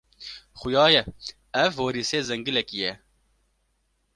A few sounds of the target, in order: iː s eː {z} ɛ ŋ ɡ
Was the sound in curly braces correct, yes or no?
yes